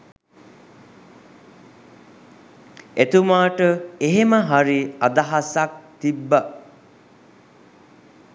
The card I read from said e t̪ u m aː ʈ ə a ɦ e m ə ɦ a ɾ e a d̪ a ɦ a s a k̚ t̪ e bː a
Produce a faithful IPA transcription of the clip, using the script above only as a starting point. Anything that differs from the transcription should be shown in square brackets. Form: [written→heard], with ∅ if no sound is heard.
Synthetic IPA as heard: e t̪ u m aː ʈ ə [a→e] ɦ e m ə ɦ a ɾ [e→i] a d̪ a ɦ a s a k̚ t̪ [e→i] bː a